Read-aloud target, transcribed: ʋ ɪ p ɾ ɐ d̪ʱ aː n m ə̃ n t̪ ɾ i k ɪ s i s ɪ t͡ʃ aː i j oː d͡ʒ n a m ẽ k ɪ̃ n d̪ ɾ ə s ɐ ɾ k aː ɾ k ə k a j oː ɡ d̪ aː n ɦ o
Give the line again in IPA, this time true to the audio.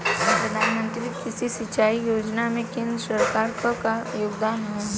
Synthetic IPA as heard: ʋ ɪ p ɾ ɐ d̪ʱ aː n m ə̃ n t̪ ɾ i k ɪ s i s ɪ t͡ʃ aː i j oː d͡ʒ n a m ẽ k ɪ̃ n d̪ ɾ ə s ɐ ɾ k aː ɾ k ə k a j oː ɡ d̪ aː n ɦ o